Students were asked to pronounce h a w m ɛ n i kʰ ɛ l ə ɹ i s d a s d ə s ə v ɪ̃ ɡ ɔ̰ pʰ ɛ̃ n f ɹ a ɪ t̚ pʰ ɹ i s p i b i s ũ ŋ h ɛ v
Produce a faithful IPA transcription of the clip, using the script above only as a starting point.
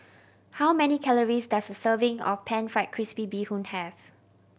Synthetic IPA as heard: h a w m ɛ n i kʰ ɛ l ə ɹ i s d a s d ə s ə v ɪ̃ ŋ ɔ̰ pʰ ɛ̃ n f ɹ a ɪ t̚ kʰ ɹ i s p i b i h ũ n h ɛ v